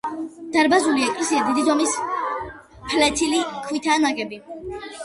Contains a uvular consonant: no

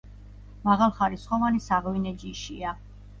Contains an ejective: no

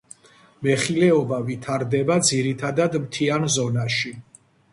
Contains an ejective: no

